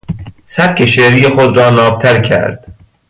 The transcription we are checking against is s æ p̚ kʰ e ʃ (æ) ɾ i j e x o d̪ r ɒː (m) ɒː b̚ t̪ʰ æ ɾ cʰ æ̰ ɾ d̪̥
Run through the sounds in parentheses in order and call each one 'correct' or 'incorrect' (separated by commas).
incorrect, incorrect